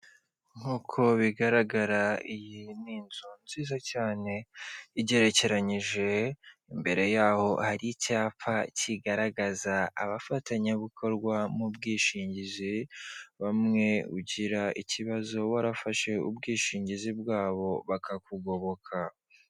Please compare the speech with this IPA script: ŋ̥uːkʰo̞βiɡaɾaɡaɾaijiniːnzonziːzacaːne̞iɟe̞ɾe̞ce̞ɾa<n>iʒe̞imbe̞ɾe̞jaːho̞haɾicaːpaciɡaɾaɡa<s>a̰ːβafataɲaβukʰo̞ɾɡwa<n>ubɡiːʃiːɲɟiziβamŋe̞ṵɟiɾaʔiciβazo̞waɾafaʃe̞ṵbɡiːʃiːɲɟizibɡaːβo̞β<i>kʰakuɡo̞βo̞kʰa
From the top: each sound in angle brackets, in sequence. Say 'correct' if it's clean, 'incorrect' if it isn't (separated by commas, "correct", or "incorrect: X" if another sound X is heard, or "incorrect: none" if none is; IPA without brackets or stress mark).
incorrect: ɲ, incorrect: z, incorrect: m, incorrect: a